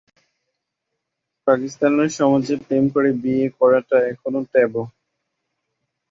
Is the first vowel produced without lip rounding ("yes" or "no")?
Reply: yes